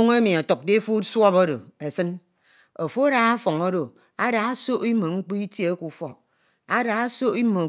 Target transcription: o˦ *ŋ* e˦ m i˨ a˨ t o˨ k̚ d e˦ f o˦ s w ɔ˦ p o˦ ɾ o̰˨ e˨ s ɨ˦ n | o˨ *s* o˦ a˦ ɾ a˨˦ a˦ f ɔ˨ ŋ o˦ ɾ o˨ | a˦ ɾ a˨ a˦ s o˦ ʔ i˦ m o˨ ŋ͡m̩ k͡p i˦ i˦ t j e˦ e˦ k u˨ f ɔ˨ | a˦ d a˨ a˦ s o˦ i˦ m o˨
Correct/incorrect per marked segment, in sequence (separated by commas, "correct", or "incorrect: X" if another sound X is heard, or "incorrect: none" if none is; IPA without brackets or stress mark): correct, incorrect: f